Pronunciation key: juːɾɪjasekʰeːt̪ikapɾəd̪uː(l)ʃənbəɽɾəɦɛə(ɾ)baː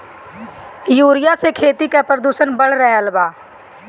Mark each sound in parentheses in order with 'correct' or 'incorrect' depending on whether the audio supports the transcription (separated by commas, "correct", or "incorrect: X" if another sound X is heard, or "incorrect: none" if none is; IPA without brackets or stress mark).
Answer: incorrect: none, incorrect: l